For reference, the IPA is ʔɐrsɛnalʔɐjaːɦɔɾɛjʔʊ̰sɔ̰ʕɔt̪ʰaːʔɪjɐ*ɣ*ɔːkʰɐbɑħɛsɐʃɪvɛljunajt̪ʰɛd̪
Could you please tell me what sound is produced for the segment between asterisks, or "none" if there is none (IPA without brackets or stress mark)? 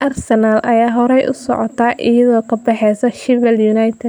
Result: ð